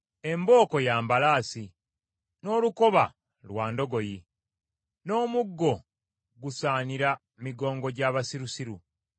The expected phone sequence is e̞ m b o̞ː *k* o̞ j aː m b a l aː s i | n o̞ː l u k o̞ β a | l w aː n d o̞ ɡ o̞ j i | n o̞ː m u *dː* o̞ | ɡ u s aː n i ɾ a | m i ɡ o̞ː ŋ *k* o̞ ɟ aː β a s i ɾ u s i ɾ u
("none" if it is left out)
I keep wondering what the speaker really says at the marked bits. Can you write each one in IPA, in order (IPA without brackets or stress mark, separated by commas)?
k, ɡː, ɡ